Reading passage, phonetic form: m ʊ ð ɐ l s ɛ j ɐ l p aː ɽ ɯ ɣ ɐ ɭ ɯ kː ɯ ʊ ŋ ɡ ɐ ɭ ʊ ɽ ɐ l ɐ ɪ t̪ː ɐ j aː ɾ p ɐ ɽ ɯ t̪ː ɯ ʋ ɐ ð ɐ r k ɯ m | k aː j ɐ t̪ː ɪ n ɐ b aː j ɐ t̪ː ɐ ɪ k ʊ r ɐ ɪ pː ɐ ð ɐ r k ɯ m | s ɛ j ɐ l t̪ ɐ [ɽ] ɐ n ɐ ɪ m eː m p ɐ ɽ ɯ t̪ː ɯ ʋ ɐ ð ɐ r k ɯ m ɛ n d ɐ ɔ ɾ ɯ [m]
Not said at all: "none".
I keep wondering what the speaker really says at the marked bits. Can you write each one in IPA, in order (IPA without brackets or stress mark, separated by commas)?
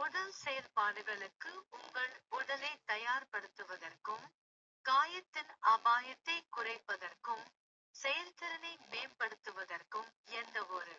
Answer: ɾ, none